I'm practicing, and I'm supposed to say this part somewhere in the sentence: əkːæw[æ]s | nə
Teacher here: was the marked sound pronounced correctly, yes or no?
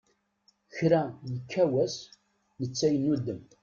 yes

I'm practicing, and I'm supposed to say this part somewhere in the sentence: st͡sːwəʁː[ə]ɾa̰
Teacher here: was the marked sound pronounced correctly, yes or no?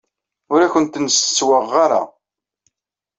no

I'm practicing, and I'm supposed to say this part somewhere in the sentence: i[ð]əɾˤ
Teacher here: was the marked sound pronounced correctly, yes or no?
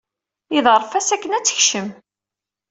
yes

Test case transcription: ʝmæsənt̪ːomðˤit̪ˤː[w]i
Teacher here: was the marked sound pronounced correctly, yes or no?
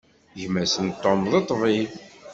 no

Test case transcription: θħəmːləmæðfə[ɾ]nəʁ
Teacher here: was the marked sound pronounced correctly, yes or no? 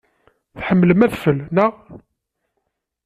no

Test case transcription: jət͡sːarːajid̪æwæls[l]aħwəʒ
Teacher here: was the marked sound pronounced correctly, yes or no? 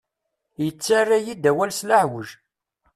yes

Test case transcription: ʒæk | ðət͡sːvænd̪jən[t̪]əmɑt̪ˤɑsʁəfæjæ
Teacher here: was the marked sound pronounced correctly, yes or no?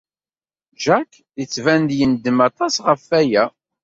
no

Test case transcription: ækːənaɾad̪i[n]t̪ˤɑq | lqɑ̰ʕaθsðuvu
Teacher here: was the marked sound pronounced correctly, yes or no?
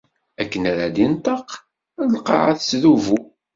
yes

